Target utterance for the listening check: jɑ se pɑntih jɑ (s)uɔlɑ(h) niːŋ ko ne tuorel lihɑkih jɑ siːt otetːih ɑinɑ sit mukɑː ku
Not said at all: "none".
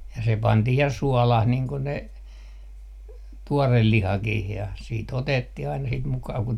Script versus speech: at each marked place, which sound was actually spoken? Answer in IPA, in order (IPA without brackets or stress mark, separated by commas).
s, h